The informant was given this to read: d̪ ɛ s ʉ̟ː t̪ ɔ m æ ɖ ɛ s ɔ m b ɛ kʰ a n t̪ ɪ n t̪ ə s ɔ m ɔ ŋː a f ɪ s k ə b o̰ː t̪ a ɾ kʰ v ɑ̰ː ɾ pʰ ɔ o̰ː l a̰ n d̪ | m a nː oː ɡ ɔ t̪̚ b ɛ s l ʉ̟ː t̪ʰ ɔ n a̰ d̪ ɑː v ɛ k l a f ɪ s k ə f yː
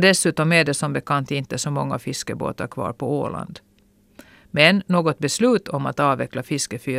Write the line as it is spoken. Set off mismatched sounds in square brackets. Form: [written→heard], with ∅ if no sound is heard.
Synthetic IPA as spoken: d̪ ɛ s ʉ̟ː t̪ ɔ m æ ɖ ɛ s ɔ m b ɛ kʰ a n t̪ ɪ n t̪ ə s ɔ m ɔ ŋː a f ɪ s k ə b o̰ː t̪ a ɾ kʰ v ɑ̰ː ɾ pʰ ɔ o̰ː l a̰ n d̪ | m [a→ɛ] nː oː ɡ ɔ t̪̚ b ɛ s l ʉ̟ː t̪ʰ ɔ [n→m] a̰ [d̪→t̪] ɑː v ɛ k l a f ɪ s k ə f yː